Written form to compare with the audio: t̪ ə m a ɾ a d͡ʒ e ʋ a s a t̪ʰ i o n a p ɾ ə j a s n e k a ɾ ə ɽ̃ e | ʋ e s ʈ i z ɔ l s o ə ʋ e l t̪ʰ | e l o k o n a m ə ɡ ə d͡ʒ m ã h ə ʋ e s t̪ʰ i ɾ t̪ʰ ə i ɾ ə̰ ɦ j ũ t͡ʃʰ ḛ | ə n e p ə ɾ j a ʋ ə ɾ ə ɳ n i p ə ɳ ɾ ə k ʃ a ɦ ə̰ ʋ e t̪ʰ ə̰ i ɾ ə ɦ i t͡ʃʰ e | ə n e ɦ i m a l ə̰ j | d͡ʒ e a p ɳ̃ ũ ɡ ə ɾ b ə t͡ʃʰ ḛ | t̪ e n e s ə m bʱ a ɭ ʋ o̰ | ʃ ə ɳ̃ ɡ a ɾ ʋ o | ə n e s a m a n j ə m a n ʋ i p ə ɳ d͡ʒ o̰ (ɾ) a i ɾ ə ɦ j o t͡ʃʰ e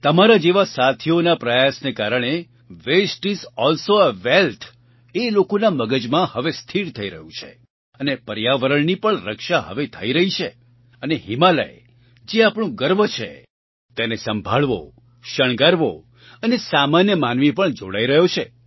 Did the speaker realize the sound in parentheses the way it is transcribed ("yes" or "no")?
no